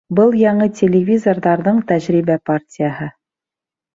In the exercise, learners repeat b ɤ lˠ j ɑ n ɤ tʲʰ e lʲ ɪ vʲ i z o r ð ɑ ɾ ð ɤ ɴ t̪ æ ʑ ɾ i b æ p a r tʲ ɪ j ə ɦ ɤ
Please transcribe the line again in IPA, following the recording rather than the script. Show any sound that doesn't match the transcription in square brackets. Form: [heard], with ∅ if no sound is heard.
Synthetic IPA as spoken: b ɤ lˠ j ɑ [ɴ] ɤ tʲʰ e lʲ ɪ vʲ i z o r ð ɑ ɾ ð ɤ ɴ t̪ æ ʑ ɾ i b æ p a r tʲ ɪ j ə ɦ ɤ